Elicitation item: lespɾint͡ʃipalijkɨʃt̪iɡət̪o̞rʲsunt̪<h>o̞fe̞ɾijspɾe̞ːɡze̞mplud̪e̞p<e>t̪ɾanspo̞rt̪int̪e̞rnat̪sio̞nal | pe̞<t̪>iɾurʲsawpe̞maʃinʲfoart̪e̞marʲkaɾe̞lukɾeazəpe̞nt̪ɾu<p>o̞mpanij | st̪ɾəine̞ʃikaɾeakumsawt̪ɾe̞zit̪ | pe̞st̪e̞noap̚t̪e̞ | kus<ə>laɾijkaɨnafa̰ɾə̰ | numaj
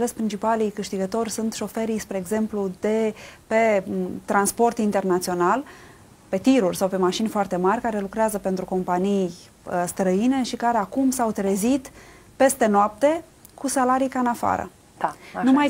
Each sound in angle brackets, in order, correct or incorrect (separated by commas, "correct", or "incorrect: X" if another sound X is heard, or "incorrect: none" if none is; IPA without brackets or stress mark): incorrect: ʃ, correct, correct, incorrect: k, incorrect: a